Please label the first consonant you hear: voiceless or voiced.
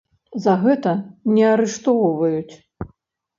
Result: voiced